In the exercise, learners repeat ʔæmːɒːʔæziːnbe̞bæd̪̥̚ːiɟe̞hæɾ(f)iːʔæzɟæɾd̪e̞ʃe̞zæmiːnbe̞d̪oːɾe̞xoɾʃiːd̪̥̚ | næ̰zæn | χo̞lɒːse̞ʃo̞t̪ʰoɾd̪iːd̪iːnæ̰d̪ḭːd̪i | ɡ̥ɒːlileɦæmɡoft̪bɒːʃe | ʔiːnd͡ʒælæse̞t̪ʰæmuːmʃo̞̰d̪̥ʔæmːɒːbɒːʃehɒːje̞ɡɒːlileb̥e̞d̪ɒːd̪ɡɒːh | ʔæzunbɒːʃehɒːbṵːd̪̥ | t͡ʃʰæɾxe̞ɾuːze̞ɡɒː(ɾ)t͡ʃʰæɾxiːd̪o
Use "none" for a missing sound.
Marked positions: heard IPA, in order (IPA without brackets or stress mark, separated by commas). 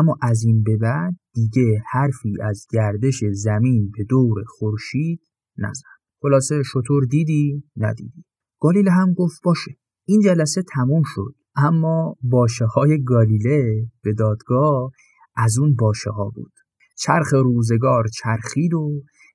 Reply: f, ɾ